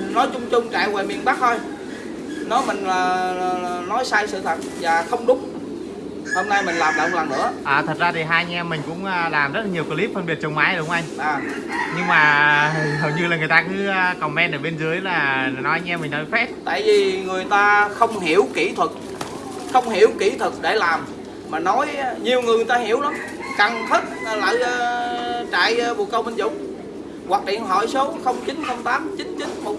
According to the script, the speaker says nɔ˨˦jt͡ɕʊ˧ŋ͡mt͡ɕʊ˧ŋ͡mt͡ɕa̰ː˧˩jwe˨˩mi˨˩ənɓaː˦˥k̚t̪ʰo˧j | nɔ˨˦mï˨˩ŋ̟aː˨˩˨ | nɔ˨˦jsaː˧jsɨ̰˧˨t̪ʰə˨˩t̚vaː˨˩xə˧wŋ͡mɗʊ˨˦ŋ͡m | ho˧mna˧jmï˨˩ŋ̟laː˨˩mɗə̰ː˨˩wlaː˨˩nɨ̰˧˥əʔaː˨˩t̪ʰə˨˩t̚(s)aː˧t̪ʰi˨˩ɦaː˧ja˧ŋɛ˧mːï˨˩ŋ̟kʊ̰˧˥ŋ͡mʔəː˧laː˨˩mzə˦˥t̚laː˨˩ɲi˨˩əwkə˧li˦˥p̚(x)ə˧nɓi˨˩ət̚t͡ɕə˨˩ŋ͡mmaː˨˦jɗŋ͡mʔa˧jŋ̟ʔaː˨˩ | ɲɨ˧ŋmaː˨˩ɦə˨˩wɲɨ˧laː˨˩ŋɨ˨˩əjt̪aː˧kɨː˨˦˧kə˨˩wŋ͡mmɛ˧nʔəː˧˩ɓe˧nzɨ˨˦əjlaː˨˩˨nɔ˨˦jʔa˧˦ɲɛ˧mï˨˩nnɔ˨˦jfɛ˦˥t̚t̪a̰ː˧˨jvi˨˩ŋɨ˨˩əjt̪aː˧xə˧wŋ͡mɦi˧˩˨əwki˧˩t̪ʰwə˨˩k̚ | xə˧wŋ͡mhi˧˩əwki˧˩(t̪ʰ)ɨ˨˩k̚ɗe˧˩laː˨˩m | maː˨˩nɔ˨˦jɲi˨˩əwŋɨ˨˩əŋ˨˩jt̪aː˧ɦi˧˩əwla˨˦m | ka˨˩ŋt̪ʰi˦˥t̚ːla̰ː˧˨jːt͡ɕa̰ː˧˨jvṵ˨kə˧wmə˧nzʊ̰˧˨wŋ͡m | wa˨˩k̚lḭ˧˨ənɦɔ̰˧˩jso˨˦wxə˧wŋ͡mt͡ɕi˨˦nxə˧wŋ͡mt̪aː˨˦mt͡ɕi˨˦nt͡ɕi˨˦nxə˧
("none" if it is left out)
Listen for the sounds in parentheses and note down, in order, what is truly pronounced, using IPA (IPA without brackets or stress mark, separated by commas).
z, f, t̪ʰ